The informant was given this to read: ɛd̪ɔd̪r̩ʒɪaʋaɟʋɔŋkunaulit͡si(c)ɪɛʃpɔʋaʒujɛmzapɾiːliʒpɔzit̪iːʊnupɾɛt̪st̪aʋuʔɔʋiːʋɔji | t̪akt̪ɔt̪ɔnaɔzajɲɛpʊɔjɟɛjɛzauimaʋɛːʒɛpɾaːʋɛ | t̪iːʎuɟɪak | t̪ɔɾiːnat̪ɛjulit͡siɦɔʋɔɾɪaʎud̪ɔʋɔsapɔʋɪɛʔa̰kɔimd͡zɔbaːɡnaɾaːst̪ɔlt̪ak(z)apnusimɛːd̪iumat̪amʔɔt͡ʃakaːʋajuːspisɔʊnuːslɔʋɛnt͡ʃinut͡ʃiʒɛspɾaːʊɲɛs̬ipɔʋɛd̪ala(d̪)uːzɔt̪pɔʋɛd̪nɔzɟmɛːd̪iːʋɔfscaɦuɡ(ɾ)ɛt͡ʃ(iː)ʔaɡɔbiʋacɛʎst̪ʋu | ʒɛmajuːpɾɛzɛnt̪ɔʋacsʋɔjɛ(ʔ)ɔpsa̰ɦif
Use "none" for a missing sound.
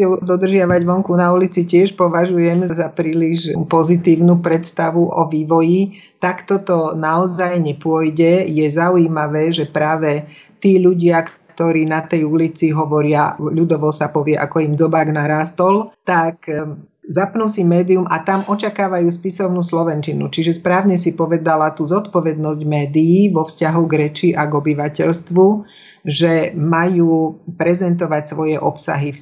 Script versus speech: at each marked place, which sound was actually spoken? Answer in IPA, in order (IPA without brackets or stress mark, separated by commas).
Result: c, z, t̪, ɾ, i, ʔ